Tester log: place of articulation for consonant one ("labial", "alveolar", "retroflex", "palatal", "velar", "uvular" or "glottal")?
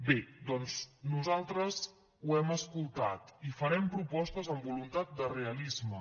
labial